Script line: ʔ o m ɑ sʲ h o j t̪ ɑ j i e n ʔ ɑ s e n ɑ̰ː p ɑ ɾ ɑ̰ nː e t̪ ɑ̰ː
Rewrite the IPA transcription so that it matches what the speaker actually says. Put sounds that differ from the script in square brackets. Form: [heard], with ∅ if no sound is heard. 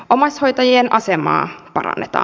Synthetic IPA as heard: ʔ o m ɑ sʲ h o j t̪ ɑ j i e n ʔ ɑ s e [m] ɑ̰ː p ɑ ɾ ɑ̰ nː e t̪ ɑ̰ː